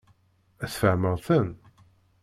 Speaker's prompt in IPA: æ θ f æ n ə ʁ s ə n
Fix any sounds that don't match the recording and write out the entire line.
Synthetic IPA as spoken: æ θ f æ m ə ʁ θ ə n